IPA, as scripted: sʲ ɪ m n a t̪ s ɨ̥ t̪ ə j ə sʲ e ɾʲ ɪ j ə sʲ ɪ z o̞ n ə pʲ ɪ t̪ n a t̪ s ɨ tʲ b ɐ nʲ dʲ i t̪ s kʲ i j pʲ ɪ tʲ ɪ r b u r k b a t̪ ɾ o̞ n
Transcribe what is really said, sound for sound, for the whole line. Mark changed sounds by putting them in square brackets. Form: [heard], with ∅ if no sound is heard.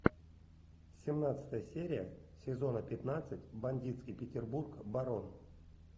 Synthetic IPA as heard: sʲ ɪ m n a t̪ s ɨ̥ t̪ ə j ə sʲ e ɾʲ ɪ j ə sʲ ɪ z o̞ n ə pʲ ɪ t̪ n a t̪ s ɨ tʲ b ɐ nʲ dʲ i t̪ s kʲ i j pʲ ɪ tʲ ɪ r b u r k b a [∅] ɾ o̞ n